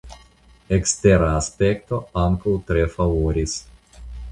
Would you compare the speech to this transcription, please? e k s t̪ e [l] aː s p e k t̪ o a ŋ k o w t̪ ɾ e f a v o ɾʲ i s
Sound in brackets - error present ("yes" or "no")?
yes